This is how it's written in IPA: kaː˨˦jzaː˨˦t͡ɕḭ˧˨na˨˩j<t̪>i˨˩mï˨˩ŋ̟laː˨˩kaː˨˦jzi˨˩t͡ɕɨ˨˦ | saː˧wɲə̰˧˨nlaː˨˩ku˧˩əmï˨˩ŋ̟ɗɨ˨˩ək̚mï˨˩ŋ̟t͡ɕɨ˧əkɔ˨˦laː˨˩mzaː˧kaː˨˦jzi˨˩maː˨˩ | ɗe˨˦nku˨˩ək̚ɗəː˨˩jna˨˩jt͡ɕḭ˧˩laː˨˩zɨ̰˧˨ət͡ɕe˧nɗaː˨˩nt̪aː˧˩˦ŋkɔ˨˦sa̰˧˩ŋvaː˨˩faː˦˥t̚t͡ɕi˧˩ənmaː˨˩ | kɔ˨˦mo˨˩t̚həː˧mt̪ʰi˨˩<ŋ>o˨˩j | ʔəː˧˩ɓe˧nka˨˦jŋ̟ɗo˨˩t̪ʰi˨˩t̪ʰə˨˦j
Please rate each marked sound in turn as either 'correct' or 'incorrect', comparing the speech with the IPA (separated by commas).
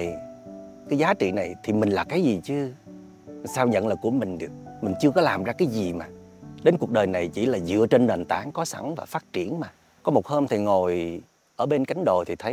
incorrect, correct